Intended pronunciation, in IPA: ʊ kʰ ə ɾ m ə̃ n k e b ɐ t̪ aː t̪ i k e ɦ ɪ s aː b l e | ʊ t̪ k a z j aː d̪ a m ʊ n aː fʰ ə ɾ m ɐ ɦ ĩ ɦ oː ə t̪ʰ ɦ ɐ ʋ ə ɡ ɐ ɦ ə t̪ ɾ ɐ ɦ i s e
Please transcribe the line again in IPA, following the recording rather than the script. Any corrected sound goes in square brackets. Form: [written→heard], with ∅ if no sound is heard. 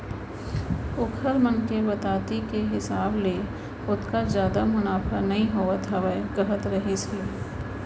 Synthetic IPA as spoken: ʊ kʰ ə ɾ m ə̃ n k e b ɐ t̪ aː t̪ i k e ɦ ɪ s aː b l e | ʊ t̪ k a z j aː d̪ a m ʊ n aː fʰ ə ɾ [m→n] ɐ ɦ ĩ ɦ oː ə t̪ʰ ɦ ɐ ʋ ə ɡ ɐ ɦ ə t̪ ɾ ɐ ɦ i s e